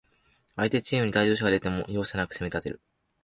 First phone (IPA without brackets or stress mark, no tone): a